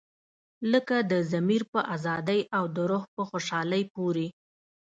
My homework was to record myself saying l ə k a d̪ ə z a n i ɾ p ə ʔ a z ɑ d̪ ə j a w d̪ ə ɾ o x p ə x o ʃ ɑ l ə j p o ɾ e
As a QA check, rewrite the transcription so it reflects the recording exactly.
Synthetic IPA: l ə k a d̪ ə z a m i ɾ p ə ʔ a z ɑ d̪ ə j a w d̪ ə ɾ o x p ə x o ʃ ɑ l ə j p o ɾ e